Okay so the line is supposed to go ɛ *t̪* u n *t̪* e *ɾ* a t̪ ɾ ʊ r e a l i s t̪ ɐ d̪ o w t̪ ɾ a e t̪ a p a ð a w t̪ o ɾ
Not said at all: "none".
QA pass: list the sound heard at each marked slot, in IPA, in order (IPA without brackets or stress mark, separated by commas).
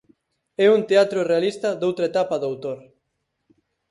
none, t̪, none